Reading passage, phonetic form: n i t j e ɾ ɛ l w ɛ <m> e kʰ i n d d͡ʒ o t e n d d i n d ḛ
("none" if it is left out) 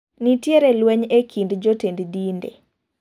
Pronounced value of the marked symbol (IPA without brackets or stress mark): ɲ